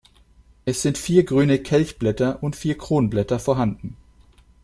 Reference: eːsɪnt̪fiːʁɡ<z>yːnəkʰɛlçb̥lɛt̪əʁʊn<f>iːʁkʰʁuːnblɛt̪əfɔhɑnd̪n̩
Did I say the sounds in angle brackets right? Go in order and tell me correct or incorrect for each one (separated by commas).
incorrect, correct